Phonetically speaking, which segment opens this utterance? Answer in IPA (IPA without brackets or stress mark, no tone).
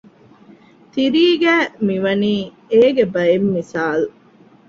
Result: t̪